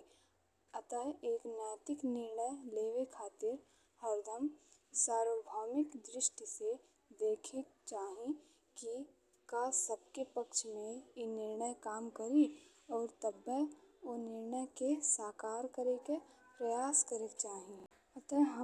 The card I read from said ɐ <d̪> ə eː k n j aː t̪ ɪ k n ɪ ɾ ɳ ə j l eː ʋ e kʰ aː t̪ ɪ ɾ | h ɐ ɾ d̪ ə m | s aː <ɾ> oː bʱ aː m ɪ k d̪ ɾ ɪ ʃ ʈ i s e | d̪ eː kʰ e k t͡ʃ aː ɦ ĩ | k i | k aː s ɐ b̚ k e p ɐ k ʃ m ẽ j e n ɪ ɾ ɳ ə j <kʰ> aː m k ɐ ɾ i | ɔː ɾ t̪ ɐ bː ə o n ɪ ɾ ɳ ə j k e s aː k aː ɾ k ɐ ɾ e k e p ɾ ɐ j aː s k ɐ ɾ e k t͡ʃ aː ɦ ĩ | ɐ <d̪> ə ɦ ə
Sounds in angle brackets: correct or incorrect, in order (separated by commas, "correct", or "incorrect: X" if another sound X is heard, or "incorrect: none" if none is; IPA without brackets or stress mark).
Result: incorrect: t̪, correct, incorrect: k, incorrect: t̪